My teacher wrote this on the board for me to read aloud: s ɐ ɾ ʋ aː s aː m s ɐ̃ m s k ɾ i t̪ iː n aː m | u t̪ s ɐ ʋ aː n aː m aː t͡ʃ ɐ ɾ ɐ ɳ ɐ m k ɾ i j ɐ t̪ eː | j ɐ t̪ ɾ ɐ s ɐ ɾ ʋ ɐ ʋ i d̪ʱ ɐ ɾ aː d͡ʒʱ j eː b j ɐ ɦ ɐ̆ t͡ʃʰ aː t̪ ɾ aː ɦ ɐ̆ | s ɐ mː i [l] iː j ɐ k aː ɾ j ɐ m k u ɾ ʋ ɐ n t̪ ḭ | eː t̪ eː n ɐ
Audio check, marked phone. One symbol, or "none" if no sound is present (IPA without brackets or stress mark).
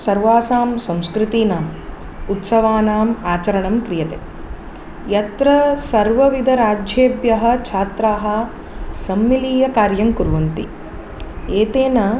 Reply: l